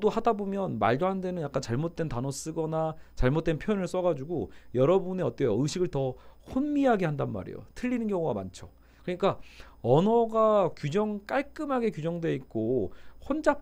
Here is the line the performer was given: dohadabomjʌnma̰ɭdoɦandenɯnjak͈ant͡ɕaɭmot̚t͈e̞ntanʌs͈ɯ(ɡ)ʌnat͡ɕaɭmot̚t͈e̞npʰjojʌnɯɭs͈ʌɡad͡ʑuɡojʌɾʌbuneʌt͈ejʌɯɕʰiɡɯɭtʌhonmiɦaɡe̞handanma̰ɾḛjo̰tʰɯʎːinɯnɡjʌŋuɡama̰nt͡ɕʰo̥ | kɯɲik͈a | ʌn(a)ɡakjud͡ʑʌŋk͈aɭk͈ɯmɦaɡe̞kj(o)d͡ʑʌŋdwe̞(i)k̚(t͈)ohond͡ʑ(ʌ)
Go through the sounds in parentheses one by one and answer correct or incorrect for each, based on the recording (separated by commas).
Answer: correct, incorrect, incorrect, correct, incorrect, incorrect